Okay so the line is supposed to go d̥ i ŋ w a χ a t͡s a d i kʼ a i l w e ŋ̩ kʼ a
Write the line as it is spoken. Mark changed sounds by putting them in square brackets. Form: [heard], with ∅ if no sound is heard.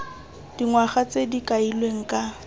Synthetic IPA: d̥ i ŋ w a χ a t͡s [e] d i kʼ a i l w e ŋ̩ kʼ a